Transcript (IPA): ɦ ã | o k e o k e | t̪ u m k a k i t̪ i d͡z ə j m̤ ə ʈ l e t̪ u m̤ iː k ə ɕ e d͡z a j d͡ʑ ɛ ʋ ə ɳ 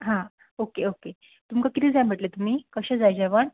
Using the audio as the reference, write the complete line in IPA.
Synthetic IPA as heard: ɦ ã | o k e o k e | t̪ u m k a k i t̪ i d͡z a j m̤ ə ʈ l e t̪ u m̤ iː k ə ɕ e d͡z a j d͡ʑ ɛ ʋ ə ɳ